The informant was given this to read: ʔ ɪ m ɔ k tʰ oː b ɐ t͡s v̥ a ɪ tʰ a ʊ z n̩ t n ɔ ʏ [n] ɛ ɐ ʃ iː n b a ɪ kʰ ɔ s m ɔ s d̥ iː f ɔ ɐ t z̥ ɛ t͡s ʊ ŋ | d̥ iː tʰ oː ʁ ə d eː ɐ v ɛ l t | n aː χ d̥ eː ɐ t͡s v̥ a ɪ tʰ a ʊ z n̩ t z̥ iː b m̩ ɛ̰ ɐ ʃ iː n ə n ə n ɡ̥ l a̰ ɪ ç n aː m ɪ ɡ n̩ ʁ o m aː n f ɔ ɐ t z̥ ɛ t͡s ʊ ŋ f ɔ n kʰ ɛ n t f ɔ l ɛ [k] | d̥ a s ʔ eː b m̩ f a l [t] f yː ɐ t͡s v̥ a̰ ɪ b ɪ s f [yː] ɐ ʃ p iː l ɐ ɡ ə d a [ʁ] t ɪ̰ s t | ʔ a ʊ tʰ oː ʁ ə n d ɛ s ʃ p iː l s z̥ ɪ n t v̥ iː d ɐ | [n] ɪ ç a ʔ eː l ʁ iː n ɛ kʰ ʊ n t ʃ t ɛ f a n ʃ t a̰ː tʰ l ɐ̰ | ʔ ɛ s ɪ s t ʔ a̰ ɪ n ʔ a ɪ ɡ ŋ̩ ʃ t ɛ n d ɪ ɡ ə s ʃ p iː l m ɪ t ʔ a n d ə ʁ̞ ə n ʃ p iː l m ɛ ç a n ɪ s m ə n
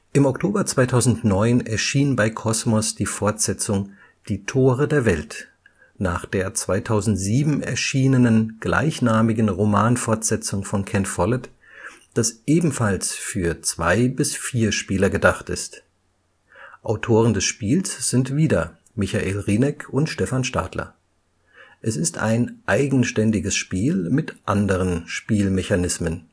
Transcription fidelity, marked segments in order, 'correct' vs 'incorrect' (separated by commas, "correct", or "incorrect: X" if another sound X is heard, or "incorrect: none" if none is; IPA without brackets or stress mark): correct, incorrect: t, incorrect: s, incorrect: iː, incorrect: χ, incorrect: m